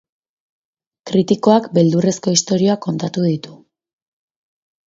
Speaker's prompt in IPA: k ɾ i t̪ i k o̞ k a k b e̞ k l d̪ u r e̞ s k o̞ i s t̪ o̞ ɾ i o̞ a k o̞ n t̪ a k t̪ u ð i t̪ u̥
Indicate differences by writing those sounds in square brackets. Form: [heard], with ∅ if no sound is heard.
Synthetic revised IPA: k ɾ i t̪ i k o̞ [∅] a k b e̞ [∅] l d̪ u r e̞ s k o̞ i s t̪ o̞ ɾ i o̞ a k o̞ n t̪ a [∅] t̪ u ð i t̪ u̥